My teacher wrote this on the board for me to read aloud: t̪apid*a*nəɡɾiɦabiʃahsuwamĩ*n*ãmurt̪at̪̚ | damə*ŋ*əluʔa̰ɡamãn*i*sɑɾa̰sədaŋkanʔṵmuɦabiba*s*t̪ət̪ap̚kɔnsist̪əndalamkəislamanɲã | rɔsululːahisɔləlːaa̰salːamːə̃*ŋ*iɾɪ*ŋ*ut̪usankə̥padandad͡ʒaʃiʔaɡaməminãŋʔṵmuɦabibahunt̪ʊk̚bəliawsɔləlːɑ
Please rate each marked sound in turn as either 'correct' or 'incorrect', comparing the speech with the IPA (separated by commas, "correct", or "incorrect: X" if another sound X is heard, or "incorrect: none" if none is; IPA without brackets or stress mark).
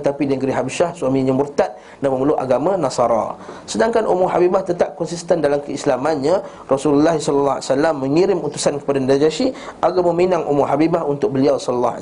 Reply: incorrect: i, incorrect: ɲ, incorrect: m, incorrect: a, incorrect: h, correct, incorrect: m